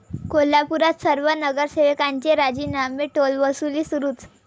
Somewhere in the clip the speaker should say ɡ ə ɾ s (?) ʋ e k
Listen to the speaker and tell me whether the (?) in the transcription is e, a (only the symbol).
e